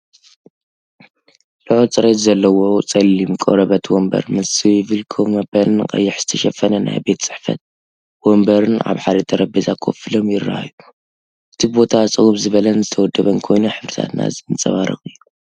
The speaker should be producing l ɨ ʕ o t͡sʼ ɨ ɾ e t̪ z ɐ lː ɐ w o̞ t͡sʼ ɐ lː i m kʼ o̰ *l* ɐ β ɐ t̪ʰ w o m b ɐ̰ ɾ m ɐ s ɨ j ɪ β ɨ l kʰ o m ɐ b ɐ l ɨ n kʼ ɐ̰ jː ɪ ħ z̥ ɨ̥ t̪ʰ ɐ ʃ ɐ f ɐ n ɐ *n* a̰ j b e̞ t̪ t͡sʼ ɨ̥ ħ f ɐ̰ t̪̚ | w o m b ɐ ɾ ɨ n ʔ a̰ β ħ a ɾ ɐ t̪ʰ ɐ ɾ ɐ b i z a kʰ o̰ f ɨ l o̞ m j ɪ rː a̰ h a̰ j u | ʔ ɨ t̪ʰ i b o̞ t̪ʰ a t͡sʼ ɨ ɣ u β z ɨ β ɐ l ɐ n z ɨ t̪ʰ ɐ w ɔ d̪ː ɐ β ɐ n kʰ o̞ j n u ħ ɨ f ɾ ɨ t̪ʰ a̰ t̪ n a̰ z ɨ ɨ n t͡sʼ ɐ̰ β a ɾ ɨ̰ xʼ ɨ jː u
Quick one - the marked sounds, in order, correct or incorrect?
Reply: incorrect, correct

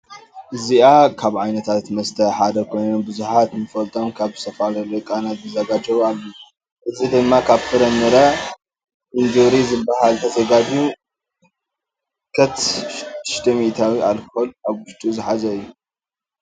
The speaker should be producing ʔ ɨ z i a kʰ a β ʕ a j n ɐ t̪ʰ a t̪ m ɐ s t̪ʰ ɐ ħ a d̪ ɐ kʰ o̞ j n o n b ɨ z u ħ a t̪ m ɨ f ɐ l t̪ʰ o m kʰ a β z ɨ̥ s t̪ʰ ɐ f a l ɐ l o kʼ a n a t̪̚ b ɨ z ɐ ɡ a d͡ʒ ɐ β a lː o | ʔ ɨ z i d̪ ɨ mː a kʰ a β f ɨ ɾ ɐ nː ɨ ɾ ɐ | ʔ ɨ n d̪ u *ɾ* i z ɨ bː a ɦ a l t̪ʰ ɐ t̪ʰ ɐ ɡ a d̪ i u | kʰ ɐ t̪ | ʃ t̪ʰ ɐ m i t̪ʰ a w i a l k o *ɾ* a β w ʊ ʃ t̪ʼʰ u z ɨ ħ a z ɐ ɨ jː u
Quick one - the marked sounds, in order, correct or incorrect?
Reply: correct, incorrect

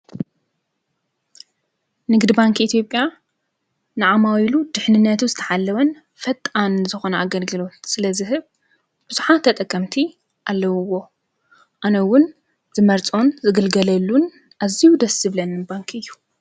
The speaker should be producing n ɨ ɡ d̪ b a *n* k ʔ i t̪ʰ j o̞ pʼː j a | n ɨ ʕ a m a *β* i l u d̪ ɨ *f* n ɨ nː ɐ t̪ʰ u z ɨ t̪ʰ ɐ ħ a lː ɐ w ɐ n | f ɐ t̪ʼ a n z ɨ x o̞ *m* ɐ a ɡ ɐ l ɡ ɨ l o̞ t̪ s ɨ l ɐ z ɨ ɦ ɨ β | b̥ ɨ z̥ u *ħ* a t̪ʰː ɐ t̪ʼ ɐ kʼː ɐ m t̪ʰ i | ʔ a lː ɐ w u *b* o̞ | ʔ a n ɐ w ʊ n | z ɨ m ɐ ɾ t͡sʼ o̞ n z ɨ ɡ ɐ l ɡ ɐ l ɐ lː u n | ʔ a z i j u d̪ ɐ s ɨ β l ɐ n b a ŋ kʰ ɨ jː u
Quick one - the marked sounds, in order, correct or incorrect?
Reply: incorrect, incorrect, incorrect, incorrect, correct, incorrect

